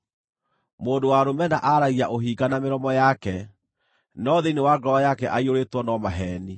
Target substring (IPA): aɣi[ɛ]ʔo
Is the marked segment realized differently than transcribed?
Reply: yes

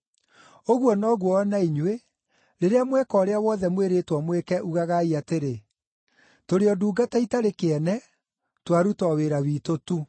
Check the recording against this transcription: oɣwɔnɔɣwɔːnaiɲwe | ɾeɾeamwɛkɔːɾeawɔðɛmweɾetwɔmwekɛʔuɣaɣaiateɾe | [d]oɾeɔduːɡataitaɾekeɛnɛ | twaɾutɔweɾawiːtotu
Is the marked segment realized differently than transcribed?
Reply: yes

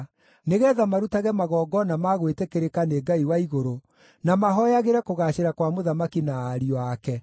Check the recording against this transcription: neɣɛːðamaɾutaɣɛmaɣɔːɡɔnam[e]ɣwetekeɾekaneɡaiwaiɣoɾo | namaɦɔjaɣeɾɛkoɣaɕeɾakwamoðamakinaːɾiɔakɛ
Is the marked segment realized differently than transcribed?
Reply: yes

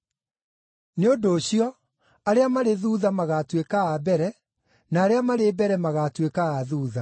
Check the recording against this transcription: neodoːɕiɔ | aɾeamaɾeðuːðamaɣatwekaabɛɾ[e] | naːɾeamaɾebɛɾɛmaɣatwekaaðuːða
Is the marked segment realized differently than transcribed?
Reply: yes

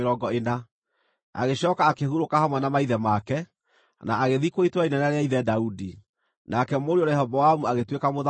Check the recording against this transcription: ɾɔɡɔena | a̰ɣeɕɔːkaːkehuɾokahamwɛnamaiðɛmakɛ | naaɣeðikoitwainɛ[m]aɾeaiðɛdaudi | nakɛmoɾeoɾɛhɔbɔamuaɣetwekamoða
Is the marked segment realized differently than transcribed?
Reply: yes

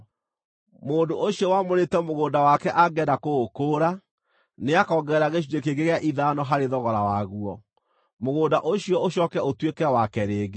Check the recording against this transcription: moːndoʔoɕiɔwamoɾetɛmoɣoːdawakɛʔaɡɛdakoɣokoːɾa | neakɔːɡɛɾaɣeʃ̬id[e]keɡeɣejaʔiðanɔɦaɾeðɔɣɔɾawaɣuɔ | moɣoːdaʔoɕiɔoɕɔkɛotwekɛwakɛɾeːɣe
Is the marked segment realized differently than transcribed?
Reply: no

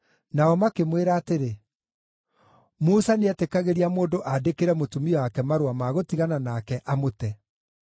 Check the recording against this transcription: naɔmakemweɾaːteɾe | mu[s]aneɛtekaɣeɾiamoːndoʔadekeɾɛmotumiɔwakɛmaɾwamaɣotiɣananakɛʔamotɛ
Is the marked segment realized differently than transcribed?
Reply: no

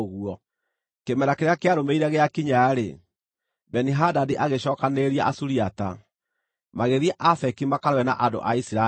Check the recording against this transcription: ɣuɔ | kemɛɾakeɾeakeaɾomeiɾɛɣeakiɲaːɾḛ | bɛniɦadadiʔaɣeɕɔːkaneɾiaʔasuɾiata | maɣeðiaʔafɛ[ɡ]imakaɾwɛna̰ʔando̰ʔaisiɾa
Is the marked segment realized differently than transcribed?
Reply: yes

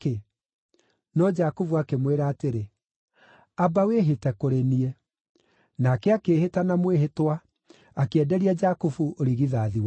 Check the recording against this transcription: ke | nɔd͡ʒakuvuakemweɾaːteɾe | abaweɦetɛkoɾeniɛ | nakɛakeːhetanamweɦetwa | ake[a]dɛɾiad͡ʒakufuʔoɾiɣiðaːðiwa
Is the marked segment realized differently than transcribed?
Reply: yes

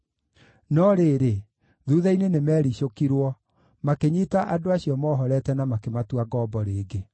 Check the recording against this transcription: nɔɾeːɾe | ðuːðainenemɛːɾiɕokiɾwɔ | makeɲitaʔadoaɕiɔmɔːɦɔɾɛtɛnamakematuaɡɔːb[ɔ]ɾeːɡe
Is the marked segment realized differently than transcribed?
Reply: no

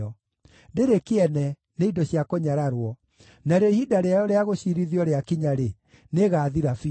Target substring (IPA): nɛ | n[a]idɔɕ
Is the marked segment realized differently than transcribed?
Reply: yes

